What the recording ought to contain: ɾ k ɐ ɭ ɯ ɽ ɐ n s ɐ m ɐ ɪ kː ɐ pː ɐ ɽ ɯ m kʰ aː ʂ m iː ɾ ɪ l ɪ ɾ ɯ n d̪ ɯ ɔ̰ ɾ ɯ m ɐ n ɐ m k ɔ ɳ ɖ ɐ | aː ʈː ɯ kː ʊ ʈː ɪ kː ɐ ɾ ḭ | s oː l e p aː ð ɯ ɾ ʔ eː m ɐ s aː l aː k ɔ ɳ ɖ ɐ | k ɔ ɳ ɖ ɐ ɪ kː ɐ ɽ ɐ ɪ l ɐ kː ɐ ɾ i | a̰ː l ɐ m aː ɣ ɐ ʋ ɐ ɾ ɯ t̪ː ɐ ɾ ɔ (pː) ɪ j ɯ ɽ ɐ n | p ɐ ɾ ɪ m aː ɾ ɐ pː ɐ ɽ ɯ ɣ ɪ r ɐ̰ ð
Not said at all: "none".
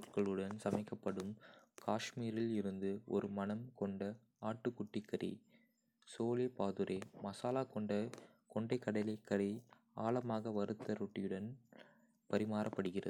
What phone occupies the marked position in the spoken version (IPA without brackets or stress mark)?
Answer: ʈː